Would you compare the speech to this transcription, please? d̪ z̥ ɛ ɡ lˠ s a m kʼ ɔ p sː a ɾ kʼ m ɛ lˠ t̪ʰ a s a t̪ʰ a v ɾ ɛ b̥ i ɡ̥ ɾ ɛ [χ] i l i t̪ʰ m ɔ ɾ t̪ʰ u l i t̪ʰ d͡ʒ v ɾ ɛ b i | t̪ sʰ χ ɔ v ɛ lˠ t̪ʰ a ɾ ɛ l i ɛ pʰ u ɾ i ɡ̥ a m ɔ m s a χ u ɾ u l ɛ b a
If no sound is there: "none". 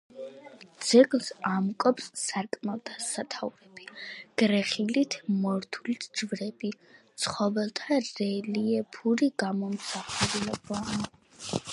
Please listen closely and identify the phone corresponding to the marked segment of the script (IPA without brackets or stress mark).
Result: χ